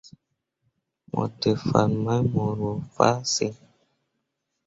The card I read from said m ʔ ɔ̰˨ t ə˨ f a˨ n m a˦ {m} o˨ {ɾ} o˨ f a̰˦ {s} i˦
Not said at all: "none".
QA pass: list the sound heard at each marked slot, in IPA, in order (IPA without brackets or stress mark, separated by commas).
m, ɾ, s